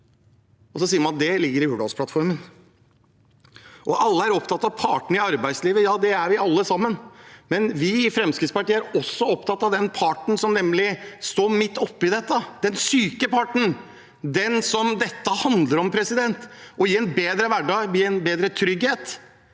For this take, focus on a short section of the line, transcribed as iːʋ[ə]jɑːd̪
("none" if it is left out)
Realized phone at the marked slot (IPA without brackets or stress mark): ə